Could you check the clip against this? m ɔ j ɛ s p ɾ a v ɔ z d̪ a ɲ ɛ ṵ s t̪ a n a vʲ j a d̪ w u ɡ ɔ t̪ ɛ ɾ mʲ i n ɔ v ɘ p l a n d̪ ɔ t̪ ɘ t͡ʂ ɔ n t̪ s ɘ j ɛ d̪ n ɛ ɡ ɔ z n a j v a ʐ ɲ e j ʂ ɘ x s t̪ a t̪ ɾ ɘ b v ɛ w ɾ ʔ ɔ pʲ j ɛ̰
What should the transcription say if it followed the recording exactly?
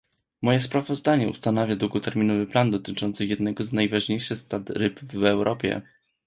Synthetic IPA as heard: m ɔ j ɛ s p ɾ a v ɔ z d̪ a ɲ ɛ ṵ s t̪ a n a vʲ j a d̪ w u ɡ ɔ t̪ ɛ ɾ mʲ i n ɔ v ɘ p l a n d̪ ɔ t̪ ɘ t͡ʂ ɔ n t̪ s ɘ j ɛ d̪ n ɛ ɡ ɔ z n a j v a ʐ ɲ e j ʂ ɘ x s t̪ a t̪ ɾ ɘ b v ɛ w ɾ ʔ ɔ pʲ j ɛ̰